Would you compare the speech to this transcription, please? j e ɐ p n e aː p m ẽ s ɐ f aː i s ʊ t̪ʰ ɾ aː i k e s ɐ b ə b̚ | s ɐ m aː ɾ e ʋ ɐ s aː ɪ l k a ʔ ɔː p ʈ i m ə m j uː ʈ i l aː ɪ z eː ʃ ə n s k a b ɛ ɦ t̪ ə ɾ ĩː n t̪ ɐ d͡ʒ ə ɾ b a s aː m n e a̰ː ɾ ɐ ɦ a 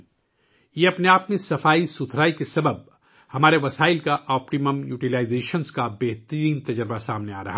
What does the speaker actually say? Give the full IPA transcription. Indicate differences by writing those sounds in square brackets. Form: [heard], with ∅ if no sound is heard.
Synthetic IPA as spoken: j e ɐ p n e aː p m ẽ s ɐ f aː i s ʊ t̪ʰ ɾ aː i k e s ɐ b ə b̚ | [h] ɐ m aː ɾ e ʋ ɐ s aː ɪ l k a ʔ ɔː p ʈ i m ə m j uː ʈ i l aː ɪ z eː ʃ ə n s k a b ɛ ɦ t̪ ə ɾ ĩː n t̪ ɐ d͡ʒ ə ɾ b a s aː m n e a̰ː ɾ ɐ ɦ a